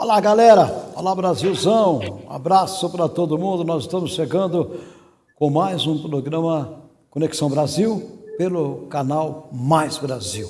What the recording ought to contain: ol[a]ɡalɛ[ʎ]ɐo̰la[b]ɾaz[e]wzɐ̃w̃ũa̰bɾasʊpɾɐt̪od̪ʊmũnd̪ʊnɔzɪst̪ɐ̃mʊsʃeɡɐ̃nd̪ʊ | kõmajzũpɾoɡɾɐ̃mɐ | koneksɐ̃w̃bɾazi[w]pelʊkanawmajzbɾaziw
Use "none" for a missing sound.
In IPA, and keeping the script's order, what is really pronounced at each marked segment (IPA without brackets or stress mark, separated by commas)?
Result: a, ɾ, b, i, w